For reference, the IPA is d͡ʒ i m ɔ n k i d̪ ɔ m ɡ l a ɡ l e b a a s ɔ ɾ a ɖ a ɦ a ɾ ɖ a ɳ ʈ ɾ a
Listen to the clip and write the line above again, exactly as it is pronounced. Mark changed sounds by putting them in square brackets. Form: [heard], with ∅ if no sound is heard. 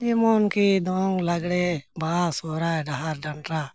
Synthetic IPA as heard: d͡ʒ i m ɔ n k i d̪ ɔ [ŋ] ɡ l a ɡ [ɽ] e b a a s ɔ ɾ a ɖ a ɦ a ɾ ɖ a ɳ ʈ ɾ a